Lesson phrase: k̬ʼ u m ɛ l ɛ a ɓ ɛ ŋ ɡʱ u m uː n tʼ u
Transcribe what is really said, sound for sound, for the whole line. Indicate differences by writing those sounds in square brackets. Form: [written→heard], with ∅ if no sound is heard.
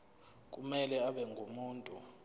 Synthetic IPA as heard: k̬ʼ u m ɛ l ɛ a ɓ ɛ ŋ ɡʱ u m uː n tʼ u